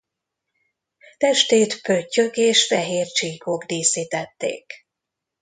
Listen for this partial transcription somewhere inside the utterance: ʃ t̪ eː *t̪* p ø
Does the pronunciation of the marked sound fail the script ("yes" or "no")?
no